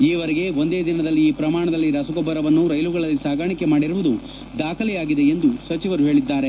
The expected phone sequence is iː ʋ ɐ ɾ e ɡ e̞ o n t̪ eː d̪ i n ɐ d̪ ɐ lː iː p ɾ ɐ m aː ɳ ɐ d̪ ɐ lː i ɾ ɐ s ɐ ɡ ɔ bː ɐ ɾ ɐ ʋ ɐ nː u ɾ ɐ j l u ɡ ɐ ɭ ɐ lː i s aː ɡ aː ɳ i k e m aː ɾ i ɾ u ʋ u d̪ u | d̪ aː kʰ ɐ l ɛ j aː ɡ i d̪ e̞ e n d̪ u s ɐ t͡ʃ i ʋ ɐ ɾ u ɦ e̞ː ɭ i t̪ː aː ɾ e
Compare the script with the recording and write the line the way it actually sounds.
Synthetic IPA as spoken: iː ʋ ɐ ɾ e ɡ e̞ o n d̪ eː d̪ i n ɐ d̪ ɐ lː iː p ɾ ɐ m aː ɳ ɐ d̪ ɐ lː i ɾ ɐ s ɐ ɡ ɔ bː ɐ ɾ ɐ ʋ ɐ nː u ɾ ɐ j l u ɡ ɐ ɭ ɐ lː i s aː ɡ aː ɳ i k e m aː ɽ i ɾ u ʋ u d̪ u | d̪ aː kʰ ɐ l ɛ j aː ɡ i d̪ e̞ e n d̪ u s ɐ t͡ʃ i ʋ ɐ ɾ u ɦ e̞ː ɭ i d̪ː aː ɾ e